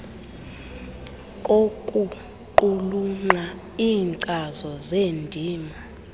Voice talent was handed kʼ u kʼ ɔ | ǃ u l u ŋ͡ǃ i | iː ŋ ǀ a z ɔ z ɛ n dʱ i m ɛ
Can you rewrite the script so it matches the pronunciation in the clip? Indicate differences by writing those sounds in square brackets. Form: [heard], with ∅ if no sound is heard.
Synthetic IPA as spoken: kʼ [o] kʼ [u] | ǃ u l u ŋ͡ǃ [a] | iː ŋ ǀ a z ɔ z [e] n dʱ [iː] m [a]